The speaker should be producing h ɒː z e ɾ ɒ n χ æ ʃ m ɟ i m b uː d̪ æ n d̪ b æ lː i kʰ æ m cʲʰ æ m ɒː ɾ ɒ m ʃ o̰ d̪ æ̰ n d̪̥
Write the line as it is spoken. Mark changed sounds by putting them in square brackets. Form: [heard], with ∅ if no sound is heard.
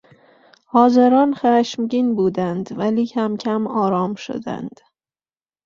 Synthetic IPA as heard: h ɒː z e ɾ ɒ n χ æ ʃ m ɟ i [n] b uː d̪ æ n d̪ [v] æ [l] i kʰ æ m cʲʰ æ m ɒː ɾ ɒ m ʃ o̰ d̪ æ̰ n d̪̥